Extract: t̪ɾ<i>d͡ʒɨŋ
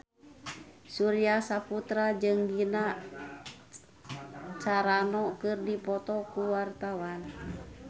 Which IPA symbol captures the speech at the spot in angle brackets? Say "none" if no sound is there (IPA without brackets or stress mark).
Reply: a